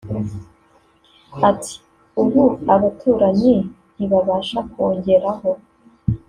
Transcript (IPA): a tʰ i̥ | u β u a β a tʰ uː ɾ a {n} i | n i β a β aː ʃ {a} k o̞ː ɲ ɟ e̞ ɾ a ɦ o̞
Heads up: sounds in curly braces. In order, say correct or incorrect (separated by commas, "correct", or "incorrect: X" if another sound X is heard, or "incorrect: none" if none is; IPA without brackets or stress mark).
incorrect: ɲ, correct